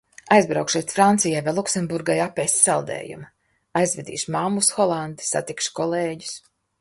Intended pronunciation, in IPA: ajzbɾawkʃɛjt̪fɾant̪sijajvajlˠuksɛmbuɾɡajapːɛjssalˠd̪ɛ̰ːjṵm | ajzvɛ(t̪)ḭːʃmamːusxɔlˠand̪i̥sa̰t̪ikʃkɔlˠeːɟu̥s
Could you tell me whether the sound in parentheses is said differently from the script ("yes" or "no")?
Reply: yes